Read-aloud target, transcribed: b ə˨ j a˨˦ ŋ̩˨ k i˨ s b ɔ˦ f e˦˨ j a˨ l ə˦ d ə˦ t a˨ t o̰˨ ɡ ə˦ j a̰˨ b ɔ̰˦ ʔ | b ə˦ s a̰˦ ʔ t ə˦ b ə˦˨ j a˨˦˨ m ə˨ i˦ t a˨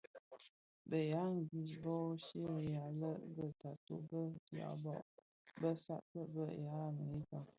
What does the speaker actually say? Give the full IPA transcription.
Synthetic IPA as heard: b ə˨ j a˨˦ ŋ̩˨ ɡ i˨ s b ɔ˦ ʃ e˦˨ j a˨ l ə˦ b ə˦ t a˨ t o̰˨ b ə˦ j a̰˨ b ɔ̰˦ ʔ | b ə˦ s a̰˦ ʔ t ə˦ b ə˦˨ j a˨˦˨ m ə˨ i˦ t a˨

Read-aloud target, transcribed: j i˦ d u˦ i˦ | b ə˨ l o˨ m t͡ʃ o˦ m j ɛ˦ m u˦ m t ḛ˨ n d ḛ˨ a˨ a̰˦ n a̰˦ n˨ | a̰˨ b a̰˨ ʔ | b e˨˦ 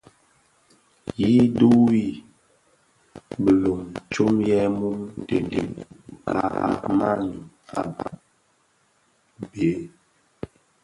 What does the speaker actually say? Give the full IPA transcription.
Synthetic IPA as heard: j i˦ d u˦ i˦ | b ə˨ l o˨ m t͡ʃ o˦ m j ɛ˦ m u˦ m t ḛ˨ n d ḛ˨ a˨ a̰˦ m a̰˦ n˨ | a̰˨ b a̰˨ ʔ | b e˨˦

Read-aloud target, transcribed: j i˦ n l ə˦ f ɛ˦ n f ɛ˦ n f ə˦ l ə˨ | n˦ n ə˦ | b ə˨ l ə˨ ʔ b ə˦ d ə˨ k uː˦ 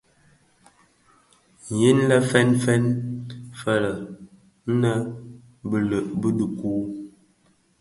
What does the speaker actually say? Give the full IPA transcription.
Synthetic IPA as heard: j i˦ n l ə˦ f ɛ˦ n f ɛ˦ n f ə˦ l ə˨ | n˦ n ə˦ | b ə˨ l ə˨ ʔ b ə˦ d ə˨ k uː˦

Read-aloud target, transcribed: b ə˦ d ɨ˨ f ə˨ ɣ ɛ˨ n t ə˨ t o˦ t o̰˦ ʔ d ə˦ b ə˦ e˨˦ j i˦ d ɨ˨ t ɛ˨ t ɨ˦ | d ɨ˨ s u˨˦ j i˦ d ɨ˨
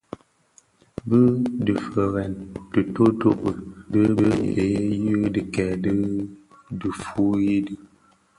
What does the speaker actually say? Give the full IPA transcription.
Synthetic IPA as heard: b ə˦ d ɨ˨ f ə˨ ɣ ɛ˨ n t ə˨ t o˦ t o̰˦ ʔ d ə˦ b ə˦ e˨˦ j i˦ d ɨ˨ k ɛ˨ d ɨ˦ | d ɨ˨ f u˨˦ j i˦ d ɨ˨

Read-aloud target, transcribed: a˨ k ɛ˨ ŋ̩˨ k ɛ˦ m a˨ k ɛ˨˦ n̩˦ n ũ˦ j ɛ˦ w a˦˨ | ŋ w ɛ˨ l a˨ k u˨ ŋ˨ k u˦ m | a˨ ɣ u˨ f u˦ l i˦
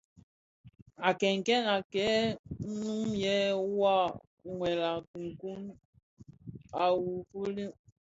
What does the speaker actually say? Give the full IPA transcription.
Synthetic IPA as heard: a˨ k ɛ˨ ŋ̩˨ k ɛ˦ n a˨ k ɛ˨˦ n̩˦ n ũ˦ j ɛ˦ w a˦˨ | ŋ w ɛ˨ l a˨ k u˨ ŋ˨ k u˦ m | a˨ w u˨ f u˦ l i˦

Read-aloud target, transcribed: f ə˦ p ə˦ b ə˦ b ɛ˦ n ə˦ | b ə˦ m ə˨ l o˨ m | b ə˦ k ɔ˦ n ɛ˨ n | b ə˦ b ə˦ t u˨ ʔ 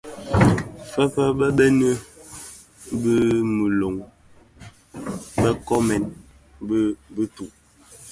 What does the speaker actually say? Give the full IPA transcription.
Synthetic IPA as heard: f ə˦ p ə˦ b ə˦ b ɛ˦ n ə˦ | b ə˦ m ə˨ l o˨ ŋ | b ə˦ k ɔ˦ m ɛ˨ n | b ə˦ b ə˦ t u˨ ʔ

